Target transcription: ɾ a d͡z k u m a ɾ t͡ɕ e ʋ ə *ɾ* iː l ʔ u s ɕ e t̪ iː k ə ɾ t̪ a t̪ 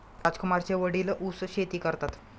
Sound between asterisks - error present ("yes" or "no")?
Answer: yes